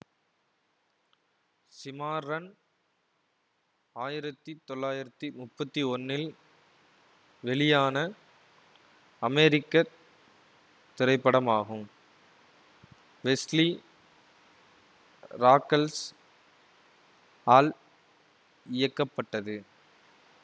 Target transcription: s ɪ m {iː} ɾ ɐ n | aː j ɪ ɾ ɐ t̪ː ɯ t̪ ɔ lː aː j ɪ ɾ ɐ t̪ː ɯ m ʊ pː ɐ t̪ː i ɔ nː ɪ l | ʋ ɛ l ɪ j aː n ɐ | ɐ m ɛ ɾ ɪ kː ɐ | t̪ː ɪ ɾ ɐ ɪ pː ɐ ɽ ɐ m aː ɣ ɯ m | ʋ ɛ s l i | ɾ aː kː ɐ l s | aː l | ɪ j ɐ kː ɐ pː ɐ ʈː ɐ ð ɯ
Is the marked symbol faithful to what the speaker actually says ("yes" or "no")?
no